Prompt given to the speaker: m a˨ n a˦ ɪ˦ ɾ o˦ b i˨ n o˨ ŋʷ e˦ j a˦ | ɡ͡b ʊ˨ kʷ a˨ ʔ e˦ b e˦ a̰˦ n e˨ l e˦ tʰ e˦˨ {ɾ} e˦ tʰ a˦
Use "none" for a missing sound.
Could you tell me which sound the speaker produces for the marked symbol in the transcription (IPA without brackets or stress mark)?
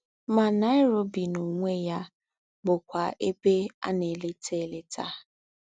l